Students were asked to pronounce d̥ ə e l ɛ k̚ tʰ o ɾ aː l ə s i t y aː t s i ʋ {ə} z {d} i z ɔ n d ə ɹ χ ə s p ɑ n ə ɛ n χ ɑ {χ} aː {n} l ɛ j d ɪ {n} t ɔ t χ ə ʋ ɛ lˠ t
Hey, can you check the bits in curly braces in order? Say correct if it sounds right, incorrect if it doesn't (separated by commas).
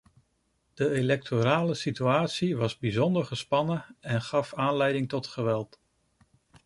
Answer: incorrect, incorrect, incorrect, correct, incorrect